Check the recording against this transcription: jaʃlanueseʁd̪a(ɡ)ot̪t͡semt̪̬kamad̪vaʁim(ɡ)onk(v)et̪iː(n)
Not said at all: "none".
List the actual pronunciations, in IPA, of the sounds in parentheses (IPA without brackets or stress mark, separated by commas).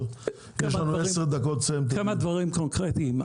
k, k, ʁ, m